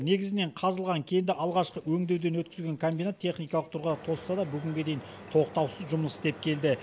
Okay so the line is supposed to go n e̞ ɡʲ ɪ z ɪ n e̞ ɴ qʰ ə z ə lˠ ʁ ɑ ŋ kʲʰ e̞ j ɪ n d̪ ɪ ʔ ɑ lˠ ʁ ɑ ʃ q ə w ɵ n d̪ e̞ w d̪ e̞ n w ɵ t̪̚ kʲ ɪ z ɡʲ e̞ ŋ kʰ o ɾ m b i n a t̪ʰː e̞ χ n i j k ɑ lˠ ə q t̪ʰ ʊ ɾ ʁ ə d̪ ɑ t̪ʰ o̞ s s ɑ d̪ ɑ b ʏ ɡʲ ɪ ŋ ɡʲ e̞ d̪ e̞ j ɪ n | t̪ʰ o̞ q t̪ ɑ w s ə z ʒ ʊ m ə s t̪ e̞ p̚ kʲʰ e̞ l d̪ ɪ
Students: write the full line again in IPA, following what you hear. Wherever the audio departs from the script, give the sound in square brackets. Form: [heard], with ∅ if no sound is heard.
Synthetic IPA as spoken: n e̞ ɡʲ ɪ z ɪ n e̞ ɴ qʰ [ɑ] z ə lˠ ʁ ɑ ŋ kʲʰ e̞ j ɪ n d̪ ɪ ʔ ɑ lˠ ʁ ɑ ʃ q ə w ɵ [ŋ] d̪ e̞ w d̪ e̞ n w ɵ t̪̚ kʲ ɪ z ɡʲ e̞ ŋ kʰ o [∅] m b i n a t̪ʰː e̞ χ n i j k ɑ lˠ ə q t̪ʰ ʊ ɾ ʁ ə d̪ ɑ t̪ʰ o̞ s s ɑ d̪ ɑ b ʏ ɡʲ ɪ ŋ ɡʲ e̞ d̪ e̞ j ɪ n | t̪ʰ o̞ q t̪ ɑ w s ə z ʒ ʊ m ə s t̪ e̞ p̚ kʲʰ e̞ l d̪ ɪ